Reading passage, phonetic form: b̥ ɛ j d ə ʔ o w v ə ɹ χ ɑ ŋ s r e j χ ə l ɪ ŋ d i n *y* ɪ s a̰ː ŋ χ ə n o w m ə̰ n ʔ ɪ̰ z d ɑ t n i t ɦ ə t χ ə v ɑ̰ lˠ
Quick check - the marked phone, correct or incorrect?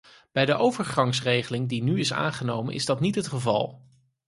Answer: correct